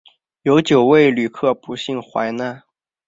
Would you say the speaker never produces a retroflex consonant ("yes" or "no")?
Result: yes